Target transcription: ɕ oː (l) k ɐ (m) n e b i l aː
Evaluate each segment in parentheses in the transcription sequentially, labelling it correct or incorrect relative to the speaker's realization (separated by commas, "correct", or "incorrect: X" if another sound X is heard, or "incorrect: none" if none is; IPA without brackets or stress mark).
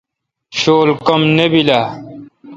correct, correct